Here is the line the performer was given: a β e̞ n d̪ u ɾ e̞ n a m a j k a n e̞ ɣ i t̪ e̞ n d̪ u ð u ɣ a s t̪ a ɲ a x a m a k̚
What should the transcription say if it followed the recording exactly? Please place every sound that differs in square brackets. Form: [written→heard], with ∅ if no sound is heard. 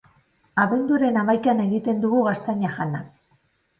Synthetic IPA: a β e̞ n d̪ u ɾ e̞ n a m a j k a n e̞ ɣ i t̪ e̞ n d̪ u [ð→ɣ] u ɣ a s t̪ a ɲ a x a [m→n] a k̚